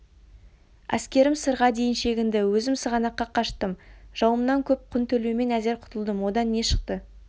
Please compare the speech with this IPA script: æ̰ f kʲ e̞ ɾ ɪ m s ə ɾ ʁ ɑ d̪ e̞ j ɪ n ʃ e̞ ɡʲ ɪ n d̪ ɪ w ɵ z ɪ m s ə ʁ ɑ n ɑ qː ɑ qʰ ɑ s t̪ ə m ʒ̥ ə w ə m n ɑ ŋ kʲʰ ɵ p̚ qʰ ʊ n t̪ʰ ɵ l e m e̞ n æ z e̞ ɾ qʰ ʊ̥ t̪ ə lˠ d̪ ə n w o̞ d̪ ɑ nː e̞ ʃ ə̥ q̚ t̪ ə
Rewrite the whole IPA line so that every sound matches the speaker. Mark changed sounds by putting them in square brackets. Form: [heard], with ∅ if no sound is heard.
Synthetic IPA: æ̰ [s] kʲ e̞ ɾ ɪ m s ə ɾ ʁ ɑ d̪ e̞ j ɪ n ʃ e̞ ɡʲ ɪ n d̪ ɪ w ɵ z ɪ m s ə ʁ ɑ n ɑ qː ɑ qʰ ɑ [ʃ] t̪ ə m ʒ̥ [ɑ] w ə m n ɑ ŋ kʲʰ ɵ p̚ qʰ ʊ n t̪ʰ ɵ l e m e̞ n æ z e̞ ɾ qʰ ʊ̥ t̪ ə lˠ d̪ ə [m] w o̞ d̪ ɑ nː e̞ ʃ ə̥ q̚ t̪ ə